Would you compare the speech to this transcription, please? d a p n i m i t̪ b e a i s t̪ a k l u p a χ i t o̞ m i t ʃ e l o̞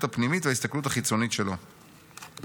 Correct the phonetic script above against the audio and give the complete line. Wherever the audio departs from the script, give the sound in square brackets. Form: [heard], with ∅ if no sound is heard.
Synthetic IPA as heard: [t] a p n i m i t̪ [v] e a i s t̪ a k l u [t] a χ i [t͡s] o̞ [n] i t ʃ e l o̞